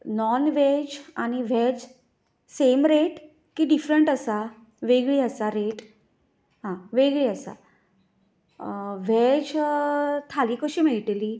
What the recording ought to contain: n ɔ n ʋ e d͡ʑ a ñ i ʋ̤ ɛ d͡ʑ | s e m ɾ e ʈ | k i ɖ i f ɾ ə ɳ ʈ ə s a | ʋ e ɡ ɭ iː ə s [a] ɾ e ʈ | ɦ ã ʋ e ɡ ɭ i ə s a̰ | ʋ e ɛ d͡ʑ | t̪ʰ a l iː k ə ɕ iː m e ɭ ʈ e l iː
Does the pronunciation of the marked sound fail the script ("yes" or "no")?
no